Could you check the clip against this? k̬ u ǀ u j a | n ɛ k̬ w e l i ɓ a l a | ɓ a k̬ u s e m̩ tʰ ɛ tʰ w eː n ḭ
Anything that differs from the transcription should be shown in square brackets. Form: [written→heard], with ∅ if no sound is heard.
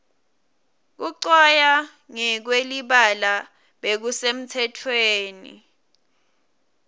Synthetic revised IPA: k̬ u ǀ [u→ɔ] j a | [n→ŋ] ɛ k̬ w e l i ɓ a l a | ɓ [a→e] k̬ u s e m̩ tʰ ɛ tʰ w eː n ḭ